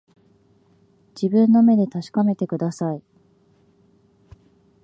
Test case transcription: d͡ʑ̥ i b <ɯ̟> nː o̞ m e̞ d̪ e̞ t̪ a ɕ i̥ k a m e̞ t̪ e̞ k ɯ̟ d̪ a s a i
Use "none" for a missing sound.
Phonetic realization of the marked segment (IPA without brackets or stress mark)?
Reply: ɯ̟̃